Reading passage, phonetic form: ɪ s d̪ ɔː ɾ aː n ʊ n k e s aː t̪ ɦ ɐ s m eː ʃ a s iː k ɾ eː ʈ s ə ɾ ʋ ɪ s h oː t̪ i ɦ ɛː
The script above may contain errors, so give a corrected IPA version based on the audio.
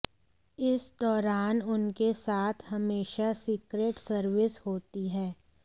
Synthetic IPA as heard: ɪ s d̪ ɔː ɾ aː n ʊ n k e s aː t̪ʰ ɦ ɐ m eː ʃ a s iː k ɾ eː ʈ s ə ɾ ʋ ɪ s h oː t̪ i ɦ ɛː